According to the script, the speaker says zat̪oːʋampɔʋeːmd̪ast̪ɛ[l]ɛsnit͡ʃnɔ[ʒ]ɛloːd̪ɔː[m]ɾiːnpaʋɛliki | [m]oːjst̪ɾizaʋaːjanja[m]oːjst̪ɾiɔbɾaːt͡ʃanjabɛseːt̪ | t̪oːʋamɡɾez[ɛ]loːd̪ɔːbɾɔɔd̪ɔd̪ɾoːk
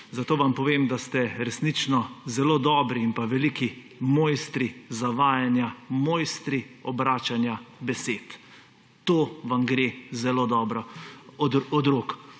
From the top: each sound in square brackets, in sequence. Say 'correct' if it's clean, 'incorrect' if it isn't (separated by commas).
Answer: incorrect, incorrect, incorrect, correct, correct, correct